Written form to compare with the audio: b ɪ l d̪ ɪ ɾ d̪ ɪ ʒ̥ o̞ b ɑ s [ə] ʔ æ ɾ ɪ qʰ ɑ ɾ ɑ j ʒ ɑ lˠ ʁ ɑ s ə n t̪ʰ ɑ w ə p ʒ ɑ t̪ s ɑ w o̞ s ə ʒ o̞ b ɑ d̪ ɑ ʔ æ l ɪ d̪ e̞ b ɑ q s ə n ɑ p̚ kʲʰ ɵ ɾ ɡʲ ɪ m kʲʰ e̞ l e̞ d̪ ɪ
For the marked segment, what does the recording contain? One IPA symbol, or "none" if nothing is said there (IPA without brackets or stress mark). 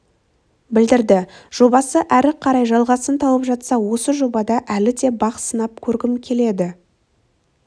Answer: ə